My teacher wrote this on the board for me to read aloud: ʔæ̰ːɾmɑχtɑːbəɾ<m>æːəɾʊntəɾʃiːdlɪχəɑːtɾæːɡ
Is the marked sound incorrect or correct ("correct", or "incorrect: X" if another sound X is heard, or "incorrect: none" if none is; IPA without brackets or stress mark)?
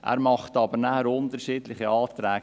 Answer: incorrect: n